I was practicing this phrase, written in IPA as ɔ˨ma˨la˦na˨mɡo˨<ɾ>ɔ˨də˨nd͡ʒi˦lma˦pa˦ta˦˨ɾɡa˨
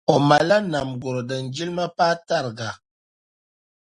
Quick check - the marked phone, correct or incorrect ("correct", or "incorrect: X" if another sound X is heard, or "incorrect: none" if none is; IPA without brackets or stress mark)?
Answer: correct